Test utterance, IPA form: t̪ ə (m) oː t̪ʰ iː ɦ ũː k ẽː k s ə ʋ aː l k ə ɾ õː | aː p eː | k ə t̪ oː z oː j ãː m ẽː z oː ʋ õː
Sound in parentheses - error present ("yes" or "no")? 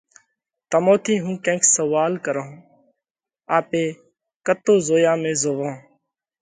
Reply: no